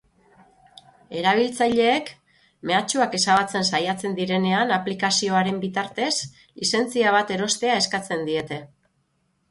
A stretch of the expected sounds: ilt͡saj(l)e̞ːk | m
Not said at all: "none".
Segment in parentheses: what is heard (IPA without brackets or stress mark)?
ʎ